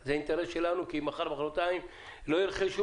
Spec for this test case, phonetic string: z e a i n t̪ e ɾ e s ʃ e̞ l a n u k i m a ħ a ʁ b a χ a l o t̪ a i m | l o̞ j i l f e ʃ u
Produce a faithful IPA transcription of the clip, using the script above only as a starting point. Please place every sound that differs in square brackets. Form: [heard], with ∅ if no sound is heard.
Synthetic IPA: z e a i n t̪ e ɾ e s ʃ e̞ l a n u k i m a [χ] a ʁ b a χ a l o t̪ a i m | l o̞ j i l [χ] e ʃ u